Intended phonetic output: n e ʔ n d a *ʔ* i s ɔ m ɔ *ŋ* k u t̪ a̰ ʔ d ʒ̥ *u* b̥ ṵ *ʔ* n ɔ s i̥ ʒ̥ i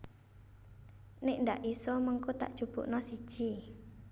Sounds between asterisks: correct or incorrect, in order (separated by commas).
correct, correct, correct, correct